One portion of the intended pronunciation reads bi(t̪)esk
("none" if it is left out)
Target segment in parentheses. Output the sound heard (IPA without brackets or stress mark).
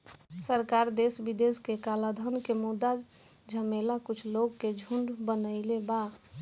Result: d̪